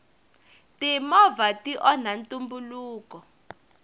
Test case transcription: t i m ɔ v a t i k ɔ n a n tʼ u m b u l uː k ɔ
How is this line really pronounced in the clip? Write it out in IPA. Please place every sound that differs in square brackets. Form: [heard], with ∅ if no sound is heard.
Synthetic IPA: t i m ɔ v a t i [ʔ] ɔ n a n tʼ u m b u l uː k ɔ